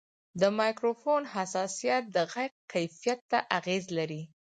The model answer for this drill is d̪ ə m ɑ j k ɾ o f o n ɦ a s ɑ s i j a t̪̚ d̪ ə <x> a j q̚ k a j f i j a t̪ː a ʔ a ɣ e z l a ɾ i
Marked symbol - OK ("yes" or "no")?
no